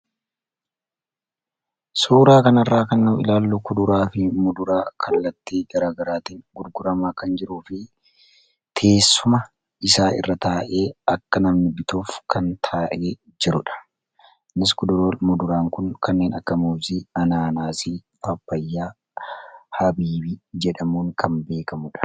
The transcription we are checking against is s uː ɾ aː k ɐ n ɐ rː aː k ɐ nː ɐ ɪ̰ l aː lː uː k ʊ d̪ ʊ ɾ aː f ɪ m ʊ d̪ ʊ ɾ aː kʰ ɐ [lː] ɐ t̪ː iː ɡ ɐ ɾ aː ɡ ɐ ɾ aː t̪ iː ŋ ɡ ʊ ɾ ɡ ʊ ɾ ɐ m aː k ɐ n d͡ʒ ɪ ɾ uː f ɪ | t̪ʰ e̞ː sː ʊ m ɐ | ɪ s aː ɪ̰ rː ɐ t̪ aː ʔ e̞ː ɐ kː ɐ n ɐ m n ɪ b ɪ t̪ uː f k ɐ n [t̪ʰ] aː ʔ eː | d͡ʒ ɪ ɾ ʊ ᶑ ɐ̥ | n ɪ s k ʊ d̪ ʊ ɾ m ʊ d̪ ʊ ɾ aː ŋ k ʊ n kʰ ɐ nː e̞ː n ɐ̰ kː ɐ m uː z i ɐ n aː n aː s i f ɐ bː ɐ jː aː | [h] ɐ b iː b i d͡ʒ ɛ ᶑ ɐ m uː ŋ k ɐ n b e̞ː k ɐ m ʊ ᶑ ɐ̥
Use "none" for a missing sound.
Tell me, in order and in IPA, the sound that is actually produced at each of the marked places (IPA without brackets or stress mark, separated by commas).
lː, t̪ʰ, h